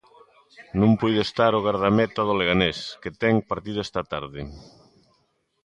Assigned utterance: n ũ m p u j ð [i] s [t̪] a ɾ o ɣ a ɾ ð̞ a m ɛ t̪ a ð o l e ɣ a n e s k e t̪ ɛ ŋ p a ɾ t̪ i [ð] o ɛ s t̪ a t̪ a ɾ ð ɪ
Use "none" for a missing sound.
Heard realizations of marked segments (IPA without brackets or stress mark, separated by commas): e, t̪, ð